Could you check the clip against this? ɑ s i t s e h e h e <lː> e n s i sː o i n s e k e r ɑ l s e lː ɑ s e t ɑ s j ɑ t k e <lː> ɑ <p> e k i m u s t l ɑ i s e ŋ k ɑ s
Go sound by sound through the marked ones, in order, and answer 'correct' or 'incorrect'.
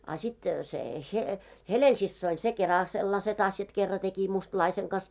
incorrect: l, incorrect: rː, incorrect: t

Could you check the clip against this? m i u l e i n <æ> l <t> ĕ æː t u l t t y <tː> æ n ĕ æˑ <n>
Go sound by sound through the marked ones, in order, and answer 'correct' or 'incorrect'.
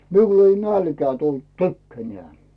correct, incorrect: k, incorrect: kː, incorrect: none

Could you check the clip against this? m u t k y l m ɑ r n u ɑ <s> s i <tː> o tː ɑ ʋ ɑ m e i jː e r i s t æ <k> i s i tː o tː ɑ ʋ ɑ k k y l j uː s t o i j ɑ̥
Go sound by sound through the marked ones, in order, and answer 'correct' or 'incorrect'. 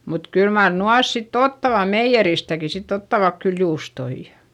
correct, correct, correct

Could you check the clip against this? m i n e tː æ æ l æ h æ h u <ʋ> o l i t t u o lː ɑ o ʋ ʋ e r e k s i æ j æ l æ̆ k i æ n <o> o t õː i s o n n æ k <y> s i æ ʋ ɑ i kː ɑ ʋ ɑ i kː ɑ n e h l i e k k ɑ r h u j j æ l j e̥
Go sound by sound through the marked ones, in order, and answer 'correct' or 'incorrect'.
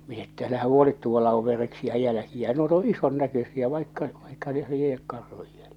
incorrect: none, incorrect: u, incorrect: ø

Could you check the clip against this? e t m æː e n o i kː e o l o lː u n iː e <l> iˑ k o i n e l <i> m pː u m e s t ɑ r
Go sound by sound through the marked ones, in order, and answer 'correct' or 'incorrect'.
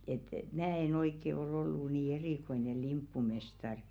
incorrect: r, correct

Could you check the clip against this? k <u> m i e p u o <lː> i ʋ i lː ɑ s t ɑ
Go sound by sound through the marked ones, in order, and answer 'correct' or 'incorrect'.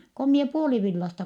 incorrect: o, incorrect: l

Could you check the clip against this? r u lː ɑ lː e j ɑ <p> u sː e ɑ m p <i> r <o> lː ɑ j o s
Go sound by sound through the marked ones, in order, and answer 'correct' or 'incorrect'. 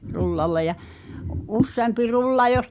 incorrect: ʔ, correct, incorrect: u

